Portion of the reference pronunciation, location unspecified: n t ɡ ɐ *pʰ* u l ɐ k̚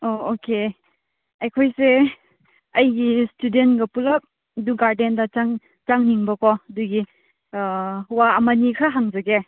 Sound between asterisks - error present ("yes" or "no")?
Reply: yes